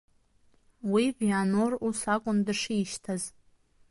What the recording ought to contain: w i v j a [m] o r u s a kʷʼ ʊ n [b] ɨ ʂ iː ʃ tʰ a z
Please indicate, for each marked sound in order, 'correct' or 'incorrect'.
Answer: incorrect, incorrect

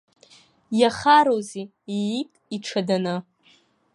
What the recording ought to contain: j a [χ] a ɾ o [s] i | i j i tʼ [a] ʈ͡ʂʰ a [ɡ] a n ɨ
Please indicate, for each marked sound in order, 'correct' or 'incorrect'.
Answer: correct, incorrect, incorrect, incorrect

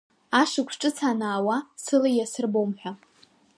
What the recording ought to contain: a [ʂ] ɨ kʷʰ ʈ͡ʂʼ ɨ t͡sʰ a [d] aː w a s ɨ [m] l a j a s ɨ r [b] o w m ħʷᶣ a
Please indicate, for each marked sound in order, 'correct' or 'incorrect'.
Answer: correct, incorrect, incorrect, correct

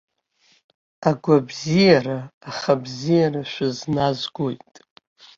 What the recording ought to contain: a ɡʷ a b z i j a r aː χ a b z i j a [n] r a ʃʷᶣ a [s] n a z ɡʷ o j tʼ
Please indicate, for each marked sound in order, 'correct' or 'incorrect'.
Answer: incorrect, incorrect

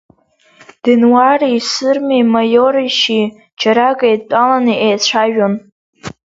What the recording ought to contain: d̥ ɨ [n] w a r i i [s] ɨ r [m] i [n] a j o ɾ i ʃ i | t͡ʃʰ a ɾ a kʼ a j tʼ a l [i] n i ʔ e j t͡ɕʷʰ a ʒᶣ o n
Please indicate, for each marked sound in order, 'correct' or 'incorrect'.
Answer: correct, correct, correct, incorrect, incorrect

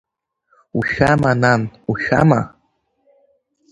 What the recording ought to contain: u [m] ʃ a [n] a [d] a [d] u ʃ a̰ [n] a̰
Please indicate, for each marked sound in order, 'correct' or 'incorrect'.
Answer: incorrect, incorrect, incorrect, incorrect, incorrect

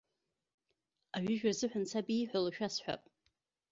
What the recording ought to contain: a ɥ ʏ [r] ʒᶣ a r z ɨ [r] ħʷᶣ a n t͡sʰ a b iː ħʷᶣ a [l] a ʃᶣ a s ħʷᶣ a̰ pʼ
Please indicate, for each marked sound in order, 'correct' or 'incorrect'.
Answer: incorrect, incorrect, correct

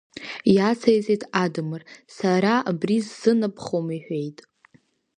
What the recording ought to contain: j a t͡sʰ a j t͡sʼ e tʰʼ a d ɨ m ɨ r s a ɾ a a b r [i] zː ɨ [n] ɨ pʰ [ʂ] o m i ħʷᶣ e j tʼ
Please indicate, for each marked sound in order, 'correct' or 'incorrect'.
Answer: correct, correct, incorrect

